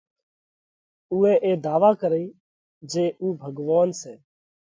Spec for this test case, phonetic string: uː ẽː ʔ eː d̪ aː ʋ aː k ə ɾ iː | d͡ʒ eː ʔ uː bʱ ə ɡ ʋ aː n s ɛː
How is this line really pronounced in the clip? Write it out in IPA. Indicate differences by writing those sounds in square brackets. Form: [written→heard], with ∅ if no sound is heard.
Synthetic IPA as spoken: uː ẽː ʔ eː d̪ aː ʋ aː k ə ɾ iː | d͡ʒ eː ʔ uː bʱ ə ɡ ʋ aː n s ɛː